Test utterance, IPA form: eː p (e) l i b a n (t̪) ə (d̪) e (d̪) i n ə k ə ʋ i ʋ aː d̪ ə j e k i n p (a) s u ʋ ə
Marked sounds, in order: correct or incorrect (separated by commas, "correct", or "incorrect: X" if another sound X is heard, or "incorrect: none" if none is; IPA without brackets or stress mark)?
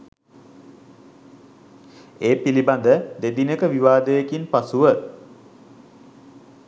incorrect: i, incorrect: d̪, correct, correct, correct